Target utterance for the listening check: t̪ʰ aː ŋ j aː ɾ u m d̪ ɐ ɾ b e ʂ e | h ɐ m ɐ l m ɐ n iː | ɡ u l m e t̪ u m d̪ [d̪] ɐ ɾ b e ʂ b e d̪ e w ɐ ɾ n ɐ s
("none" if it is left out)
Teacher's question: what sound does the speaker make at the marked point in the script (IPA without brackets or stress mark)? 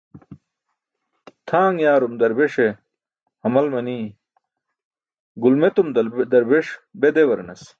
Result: d̪